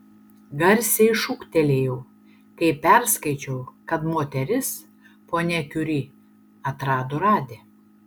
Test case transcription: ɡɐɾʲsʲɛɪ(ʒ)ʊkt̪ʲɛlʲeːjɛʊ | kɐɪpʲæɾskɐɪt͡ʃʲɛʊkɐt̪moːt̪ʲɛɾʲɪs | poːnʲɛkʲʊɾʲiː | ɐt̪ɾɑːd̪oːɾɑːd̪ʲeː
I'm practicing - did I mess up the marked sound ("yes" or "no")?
yes